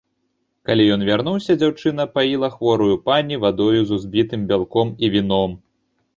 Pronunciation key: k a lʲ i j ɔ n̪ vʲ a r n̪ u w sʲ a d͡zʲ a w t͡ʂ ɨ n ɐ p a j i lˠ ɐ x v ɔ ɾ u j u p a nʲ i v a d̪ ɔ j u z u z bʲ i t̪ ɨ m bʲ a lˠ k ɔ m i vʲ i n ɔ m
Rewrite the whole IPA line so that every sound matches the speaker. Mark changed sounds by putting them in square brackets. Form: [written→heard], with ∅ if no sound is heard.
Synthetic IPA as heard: k a lʲ i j ɔ n̪ vʲ a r n̪ u w sʲ [a→ɐ] d͡zʲ a w t͡ʂ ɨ n ɐ p a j i lˠ ɐ x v ɔ ɾ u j u p a nʲ i v a d̪ ɔ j u z u z bʲ i t̪ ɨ m bʲ a lˠ k ɔ m i vʲ i n ɔ m